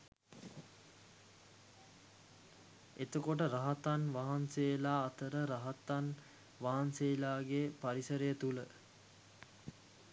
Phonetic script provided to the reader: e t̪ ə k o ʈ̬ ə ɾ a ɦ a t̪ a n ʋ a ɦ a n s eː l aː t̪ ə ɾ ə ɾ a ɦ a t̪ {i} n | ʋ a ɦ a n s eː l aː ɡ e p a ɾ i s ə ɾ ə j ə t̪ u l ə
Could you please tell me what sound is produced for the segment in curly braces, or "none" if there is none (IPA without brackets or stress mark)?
a